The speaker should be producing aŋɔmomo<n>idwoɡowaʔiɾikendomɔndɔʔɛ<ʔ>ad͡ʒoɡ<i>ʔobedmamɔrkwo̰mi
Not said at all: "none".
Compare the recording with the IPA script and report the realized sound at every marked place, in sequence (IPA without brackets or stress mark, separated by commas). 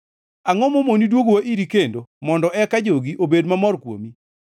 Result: n, k, i